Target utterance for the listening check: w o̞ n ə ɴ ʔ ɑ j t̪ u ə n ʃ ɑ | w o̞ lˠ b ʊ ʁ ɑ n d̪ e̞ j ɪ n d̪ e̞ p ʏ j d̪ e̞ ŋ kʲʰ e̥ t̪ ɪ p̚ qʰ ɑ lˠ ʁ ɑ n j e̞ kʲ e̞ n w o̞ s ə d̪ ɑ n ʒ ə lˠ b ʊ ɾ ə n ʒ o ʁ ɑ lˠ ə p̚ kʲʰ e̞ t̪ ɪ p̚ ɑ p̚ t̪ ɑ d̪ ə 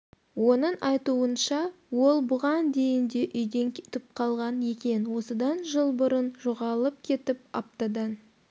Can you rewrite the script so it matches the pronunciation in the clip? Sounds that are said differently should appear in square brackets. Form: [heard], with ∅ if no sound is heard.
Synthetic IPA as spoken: w o̞ n ə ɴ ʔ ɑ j t̪ u ə n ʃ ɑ | w o̞ lˠ b ʊ ʁ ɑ n d̪ e̞ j ɪ n d̪ e̞ [ʔ] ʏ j d̪ e̞ ŋ kʲʰ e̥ t̪ ɪ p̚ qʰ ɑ lˠ ʁ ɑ n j e̞ kʲ e̞ n w o̞ s ə d̪ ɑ n ʒ ə lˠ b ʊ ɾ ə n ʒ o ʁ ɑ lˠ ə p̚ kʲʰ e̞ t̪ ɪ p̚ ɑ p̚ t̪ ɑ d̪ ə